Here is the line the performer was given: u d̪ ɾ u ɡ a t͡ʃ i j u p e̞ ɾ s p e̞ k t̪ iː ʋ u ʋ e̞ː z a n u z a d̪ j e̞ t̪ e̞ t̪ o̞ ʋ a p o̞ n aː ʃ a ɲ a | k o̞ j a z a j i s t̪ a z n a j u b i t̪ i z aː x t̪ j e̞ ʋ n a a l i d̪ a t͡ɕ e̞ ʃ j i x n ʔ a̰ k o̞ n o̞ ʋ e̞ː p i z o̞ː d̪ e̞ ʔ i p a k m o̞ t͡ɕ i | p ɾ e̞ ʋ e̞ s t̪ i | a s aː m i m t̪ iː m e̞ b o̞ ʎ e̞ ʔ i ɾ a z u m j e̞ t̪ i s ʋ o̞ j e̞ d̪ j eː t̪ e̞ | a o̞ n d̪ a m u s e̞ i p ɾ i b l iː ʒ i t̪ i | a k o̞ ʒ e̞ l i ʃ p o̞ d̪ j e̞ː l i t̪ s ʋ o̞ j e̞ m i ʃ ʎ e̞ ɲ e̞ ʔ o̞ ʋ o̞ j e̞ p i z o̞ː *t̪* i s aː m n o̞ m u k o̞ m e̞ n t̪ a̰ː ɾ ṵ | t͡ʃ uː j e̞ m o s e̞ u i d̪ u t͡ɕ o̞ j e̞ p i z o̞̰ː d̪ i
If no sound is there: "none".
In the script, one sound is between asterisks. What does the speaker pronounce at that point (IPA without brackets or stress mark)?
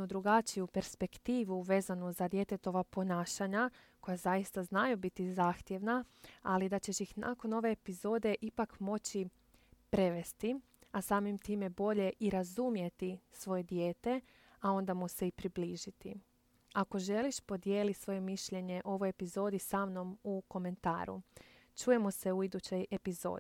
d̪